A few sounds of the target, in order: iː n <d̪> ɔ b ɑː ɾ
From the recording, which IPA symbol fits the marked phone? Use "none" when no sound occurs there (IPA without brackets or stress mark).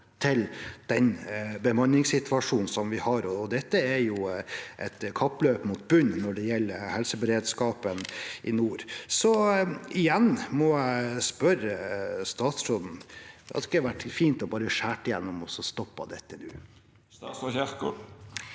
t̪